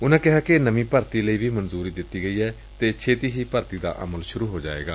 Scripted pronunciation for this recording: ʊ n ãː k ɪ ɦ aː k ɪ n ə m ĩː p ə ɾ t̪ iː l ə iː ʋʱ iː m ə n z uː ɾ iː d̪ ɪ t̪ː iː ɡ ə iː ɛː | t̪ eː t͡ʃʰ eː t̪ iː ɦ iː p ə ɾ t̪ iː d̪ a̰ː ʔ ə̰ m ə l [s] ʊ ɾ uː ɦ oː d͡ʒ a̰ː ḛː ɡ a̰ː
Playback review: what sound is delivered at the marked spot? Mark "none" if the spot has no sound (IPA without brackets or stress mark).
ʃ